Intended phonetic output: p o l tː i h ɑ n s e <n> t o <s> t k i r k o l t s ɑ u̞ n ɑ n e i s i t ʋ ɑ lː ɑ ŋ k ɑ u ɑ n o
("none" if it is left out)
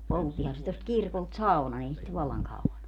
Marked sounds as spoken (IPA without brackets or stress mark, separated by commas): none, s